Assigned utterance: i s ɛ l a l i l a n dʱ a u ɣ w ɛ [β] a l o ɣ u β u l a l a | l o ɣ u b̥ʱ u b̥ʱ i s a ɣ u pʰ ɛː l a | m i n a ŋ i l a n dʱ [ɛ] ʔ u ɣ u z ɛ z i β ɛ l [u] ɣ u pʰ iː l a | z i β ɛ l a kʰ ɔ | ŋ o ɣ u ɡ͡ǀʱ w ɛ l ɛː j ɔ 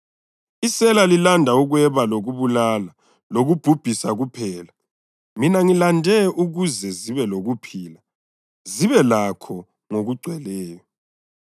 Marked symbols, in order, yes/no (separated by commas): yes, yes, no